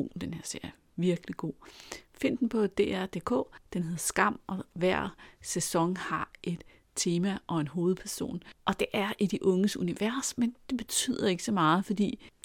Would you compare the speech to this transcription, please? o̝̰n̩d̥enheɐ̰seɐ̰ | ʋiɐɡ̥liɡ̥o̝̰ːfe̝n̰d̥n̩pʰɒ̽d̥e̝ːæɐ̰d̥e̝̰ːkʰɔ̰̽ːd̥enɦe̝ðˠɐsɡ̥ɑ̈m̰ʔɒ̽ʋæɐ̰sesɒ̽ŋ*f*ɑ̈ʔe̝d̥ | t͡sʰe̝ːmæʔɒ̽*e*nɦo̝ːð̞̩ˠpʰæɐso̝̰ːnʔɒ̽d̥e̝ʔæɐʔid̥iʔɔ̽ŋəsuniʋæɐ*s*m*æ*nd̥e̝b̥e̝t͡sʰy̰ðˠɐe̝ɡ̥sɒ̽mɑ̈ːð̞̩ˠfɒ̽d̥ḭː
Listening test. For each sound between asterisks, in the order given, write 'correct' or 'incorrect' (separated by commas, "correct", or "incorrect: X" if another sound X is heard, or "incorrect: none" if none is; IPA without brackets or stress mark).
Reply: incorrect: h, correct, correct, incorrect: e